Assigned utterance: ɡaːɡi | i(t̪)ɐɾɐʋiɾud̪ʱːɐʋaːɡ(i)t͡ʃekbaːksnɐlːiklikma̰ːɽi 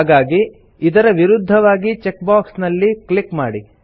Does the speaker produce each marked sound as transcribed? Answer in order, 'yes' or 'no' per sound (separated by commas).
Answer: no, yes